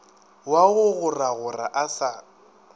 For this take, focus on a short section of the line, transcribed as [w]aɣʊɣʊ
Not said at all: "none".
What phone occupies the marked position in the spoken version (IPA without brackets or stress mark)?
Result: w